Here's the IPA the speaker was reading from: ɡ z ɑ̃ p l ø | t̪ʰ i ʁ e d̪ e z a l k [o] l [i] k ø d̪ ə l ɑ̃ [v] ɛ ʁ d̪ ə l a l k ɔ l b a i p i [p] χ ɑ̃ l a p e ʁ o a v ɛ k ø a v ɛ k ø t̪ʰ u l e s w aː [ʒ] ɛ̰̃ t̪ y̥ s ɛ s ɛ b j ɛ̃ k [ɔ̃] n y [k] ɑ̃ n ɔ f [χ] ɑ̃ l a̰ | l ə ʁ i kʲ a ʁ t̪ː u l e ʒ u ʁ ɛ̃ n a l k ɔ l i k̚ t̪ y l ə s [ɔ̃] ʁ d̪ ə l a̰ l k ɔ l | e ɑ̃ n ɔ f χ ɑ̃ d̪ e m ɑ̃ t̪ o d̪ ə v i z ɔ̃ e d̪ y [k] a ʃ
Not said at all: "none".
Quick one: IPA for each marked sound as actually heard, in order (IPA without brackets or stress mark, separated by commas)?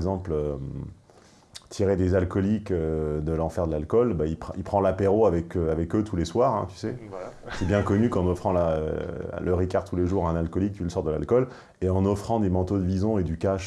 ɔ, i, f, p, ʁ, ɔ, k, χ, ɔ, k